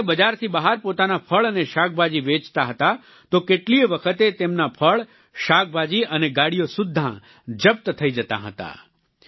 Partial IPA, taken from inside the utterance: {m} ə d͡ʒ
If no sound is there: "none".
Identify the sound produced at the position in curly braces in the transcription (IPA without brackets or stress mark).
b